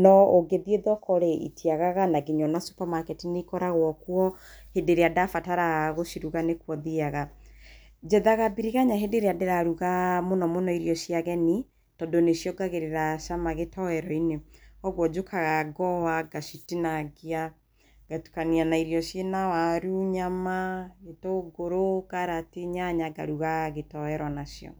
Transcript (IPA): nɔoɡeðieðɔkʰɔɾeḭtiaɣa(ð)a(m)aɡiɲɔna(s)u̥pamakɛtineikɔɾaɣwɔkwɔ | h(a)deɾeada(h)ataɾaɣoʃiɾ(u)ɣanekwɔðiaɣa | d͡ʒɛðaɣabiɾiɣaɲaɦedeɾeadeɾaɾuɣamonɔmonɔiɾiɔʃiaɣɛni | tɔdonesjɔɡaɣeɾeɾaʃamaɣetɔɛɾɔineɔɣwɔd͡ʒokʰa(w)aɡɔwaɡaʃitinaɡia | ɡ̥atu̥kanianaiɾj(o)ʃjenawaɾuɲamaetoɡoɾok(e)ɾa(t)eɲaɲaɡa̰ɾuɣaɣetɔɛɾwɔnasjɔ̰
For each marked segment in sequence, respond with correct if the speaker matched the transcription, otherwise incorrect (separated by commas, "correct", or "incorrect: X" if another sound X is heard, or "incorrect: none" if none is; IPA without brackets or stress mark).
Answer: incorrect: ɣ, incorrect: n, correct, incorrect: e, incorrect: f, correct, incorrect: ɣ, incorrect: ɔ, incorrect: a, correct